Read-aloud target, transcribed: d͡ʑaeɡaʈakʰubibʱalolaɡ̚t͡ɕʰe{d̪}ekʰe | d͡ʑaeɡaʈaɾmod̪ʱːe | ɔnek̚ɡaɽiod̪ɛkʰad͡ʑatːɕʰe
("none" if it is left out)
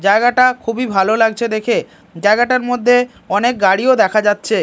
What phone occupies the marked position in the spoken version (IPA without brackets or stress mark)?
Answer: d̪